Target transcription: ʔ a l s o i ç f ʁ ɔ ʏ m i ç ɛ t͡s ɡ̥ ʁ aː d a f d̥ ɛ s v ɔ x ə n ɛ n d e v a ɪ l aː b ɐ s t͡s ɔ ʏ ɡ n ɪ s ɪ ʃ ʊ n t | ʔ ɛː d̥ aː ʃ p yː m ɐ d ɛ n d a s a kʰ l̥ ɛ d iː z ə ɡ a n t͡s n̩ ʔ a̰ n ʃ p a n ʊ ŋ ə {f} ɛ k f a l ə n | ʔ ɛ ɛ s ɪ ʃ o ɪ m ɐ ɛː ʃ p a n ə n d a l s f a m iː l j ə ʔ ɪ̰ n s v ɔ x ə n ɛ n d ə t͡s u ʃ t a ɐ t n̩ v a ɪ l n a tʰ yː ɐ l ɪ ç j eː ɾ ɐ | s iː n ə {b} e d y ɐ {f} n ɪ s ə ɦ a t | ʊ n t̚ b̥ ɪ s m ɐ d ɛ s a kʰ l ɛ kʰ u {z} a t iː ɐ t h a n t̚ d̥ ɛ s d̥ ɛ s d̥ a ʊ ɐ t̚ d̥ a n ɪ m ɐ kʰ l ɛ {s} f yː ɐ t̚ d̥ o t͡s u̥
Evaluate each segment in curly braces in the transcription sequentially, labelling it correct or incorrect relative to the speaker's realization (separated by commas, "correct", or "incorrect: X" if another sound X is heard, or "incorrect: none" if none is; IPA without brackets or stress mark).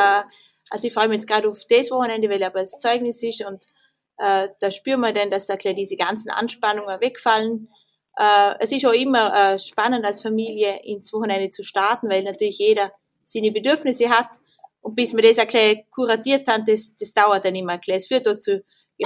incorrect: v, correct, correct, incorrect: ʁ, correct